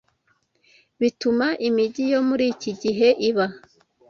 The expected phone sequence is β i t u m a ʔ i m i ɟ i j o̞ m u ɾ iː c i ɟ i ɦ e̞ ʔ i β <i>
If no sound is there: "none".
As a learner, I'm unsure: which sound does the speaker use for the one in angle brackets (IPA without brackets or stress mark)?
a